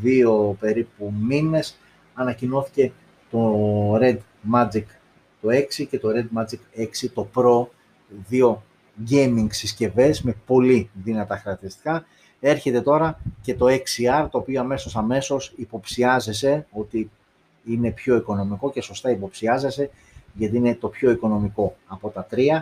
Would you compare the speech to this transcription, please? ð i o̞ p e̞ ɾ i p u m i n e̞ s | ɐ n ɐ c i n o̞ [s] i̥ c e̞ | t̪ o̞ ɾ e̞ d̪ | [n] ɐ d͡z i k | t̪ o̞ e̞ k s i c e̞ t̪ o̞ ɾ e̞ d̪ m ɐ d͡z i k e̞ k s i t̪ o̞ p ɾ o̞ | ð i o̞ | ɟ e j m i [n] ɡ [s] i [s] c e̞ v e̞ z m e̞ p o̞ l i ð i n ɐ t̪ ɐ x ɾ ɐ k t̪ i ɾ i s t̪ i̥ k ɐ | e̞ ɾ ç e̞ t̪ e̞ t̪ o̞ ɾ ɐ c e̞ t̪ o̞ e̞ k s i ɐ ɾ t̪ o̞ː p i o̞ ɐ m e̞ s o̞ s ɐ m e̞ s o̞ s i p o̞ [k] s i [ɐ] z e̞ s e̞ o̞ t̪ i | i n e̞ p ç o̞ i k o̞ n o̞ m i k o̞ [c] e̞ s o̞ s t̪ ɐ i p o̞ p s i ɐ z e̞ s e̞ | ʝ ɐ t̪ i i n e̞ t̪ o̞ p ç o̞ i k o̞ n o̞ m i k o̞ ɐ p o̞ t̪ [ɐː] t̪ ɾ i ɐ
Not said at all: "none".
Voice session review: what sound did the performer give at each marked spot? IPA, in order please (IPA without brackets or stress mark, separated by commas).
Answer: θ, m, ŋ, s, s, p, ɐ, c, ɐ